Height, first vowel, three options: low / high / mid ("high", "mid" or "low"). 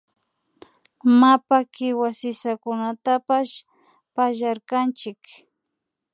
low